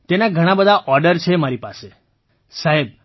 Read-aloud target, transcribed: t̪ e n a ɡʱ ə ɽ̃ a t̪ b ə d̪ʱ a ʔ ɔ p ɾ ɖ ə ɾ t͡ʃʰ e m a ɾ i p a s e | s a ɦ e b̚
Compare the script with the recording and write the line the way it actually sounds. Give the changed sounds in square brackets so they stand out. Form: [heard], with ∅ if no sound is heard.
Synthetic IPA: t̪ e n a ɡʱ ə ɽ̃ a [∅] b ə d̪ʱ a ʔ ɔ [∅] ɾ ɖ ə ɾ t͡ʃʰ e m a ɾ i p a s e | s a ɦ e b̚